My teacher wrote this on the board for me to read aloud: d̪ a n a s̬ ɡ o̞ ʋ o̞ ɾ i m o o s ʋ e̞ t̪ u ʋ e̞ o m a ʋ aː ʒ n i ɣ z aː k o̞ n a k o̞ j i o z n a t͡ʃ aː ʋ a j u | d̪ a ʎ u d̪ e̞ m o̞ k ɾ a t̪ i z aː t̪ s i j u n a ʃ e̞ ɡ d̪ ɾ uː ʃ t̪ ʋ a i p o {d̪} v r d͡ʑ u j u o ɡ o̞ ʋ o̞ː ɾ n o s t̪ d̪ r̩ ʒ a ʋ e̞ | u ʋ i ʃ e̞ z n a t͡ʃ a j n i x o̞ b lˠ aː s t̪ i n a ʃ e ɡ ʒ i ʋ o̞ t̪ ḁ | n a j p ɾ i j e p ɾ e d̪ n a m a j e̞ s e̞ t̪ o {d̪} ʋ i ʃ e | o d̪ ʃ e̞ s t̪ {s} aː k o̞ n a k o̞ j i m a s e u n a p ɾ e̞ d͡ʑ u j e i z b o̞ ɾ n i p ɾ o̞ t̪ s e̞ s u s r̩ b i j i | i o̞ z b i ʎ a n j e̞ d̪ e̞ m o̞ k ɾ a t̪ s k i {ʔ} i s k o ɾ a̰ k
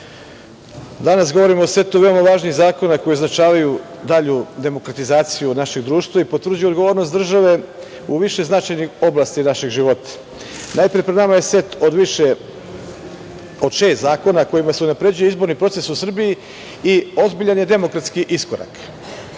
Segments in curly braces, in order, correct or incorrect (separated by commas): incorrect, correct, incorrect, correct